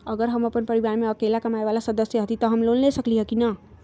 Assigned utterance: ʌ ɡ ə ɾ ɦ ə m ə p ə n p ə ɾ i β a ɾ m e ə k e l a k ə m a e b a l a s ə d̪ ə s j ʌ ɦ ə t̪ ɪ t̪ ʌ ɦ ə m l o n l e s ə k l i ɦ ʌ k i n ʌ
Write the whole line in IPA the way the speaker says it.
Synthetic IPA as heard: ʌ ɡ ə ɾ ɦ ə m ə p ə n p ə ɾ i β a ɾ m e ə k e l a k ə m a e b a l a s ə d̪ ə s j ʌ ɦ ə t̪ i t̪ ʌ ɦ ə m l o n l e s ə k l i ɦ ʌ k i n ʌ